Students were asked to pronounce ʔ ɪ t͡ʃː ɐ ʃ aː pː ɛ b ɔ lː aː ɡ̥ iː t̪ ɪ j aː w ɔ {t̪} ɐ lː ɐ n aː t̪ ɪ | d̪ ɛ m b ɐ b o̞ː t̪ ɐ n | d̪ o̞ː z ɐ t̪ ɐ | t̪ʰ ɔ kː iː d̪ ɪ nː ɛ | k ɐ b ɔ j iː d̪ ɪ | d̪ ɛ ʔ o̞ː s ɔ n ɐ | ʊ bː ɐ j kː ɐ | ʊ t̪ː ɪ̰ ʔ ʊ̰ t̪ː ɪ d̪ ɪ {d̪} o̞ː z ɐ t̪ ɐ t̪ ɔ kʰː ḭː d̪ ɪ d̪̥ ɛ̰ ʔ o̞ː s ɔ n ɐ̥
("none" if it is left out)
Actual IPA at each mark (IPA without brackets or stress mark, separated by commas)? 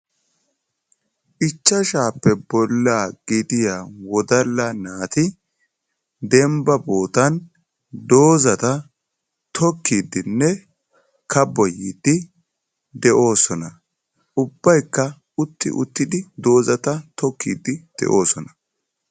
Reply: d̪, d̪